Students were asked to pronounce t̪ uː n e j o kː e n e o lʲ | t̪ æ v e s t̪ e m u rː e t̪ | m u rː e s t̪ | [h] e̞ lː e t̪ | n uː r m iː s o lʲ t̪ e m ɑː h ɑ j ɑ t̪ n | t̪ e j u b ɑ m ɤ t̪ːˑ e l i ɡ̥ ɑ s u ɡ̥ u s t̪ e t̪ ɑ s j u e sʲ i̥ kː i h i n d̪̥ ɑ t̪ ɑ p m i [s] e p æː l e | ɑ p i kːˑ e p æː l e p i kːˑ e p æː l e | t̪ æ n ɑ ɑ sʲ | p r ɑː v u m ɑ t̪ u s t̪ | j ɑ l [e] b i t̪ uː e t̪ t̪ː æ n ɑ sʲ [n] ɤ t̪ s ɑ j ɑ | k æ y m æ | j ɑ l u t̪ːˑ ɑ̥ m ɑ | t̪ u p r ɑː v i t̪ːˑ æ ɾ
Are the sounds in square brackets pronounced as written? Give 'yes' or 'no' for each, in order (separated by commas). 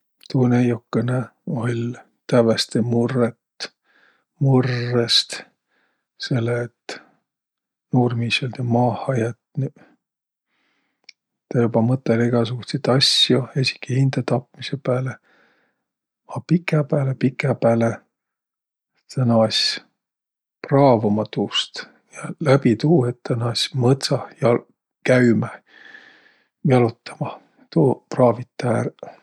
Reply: no, yes, no, no